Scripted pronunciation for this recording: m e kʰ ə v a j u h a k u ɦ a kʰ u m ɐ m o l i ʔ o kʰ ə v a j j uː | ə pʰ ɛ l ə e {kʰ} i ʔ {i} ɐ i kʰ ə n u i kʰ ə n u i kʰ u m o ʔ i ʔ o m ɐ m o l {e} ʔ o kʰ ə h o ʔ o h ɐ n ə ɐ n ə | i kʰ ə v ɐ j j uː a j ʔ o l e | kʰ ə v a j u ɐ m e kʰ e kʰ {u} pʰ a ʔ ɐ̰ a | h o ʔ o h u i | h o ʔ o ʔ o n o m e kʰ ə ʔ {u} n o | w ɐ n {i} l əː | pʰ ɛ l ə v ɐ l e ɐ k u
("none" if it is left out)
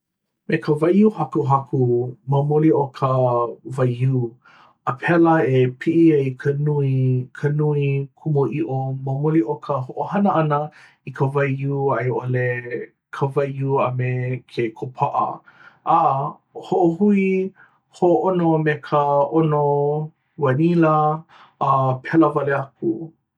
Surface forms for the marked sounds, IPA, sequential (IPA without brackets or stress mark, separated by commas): pʰ, i, i, o, o, i